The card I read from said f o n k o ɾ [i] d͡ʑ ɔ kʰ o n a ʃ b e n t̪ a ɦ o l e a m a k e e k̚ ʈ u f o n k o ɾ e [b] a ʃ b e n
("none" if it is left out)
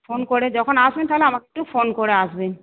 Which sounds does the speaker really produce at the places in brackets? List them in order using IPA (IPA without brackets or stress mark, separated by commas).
e, none